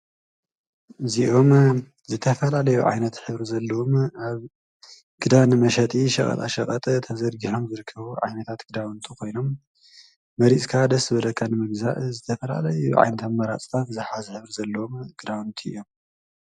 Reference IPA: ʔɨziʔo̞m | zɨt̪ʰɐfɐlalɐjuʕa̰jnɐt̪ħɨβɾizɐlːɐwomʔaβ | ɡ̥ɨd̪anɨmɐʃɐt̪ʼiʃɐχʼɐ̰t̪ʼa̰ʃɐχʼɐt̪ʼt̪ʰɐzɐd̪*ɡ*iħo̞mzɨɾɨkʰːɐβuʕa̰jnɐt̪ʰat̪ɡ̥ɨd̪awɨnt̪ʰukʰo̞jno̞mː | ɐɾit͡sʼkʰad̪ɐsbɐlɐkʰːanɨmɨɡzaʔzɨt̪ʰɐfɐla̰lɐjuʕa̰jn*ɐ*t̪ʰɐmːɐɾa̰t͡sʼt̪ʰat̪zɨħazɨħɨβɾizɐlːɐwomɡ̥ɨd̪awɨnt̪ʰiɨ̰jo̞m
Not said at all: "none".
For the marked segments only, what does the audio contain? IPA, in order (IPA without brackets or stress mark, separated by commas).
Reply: ɡ, ɐ